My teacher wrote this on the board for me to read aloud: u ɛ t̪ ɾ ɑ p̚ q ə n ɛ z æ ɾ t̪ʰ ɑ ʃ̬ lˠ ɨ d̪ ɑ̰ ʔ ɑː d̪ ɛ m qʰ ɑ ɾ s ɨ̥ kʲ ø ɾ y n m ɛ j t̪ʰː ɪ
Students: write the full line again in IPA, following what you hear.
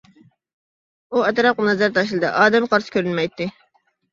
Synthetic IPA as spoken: u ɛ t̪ ɾ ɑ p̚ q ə n ɛ z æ ɾ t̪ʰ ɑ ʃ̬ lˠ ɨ d̪ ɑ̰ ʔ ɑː d̪ ɛ m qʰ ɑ ɾ s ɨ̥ kʲ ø ɾ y n m ɛ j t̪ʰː ɪ